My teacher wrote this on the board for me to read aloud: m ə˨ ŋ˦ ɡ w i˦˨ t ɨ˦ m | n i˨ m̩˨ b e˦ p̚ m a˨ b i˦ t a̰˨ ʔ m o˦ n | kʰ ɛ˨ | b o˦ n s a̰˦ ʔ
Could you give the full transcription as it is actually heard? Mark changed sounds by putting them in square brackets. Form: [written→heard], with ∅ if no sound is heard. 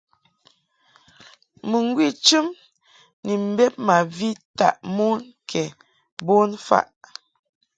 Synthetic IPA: m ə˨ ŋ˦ ɡ w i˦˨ [t→t͡ʃ] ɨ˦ m | n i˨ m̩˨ b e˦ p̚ m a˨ [b→v] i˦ t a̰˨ ʔ m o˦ n | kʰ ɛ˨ | b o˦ n [s→f] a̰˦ ʔ